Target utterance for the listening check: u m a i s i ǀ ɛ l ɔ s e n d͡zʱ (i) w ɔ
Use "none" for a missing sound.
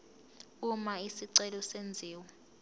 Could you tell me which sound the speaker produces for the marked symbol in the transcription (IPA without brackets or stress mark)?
iː